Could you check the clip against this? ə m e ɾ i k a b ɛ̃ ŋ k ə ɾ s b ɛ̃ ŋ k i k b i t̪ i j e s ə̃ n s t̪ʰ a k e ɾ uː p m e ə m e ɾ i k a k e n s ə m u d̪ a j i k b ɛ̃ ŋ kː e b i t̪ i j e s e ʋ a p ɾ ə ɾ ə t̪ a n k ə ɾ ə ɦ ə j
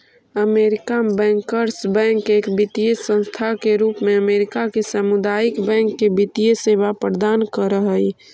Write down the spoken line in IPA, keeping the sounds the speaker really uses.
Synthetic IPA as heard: ə m e ɾ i k a b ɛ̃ ŋ k ə ɾ s b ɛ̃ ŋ k e k b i t̪ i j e s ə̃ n s t̪ʰ a k e ɾ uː p m e ə m e ɾ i k a k e s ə m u d̪ a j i k b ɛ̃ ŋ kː e b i t̪ i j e s e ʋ a p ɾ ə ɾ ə d̪ a n k ə ɾ ə ɦ ə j